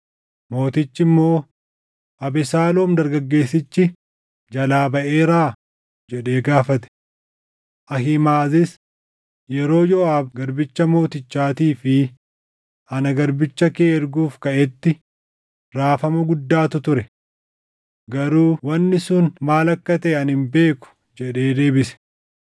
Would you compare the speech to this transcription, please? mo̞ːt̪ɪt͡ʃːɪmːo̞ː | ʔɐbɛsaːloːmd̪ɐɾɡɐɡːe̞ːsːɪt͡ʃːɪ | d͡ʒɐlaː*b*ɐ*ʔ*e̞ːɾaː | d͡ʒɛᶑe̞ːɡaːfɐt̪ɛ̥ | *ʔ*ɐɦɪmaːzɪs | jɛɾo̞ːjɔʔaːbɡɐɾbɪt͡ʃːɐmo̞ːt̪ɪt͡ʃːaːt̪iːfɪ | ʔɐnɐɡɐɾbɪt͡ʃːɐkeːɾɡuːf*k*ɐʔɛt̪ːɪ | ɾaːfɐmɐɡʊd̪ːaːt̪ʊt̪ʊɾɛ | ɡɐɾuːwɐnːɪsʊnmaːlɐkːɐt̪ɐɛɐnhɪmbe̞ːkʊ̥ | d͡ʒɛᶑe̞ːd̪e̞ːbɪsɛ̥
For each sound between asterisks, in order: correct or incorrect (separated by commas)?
correct, correct, correct, correct